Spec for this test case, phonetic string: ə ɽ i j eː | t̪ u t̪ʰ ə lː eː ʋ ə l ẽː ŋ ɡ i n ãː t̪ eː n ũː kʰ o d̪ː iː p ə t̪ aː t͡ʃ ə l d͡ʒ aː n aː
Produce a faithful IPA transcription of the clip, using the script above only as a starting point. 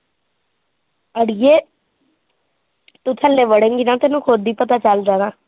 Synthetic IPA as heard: ə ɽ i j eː | t̪ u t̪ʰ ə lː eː ʋ ə ɽ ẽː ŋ ɡ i n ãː t̪ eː n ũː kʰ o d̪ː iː p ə t̪ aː t͡ʃ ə l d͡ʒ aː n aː